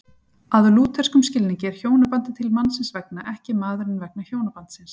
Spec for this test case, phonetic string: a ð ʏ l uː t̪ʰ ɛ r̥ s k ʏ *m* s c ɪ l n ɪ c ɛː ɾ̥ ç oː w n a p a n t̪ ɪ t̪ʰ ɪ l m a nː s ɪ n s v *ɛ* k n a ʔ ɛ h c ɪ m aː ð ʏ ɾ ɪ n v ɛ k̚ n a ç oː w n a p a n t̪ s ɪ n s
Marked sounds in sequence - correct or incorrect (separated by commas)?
correct, correct